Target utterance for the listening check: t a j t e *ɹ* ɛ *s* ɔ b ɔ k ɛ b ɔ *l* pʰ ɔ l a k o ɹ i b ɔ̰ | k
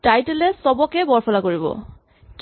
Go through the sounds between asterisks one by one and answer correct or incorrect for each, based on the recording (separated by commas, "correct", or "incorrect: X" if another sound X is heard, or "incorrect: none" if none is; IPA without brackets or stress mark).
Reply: incorrect: l, correct, incorrect: ɹ